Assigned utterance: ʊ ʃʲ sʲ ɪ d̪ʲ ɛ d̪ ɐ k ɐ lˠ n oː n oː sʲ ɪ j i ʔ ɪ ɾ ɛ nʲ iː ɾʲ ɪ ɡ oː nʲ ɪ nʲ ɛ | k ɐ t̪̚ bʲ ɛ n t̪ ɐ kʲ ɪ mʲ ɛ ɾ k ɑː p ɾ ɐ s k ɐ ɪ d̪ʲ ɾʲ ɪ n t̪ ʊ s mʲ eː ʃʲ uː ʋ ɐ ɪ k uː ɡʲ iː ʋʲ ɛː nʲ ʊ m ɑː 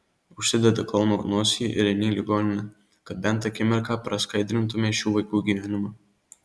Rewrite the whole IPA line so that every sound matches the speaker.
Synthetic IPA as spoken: ʊ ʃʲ sʲ ɪ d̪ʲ ɛ d̪ ɐ k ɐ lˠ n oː n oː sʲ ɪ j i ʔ ɪ ɾ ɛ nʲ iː lʲ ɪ ɡ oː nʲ ɪ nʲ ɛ | k ɐ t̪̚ bʲ ɛ n t̪ ɐ kʲ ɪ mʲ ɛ ɾ k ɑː p ɾ ɐ s k ɐ ɪ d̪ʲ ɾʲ ɪ n t̪ ʊ mʲ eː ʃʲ uː ʋ ɐ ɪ k uː ɡʲ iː ʋʲ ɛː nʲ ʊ m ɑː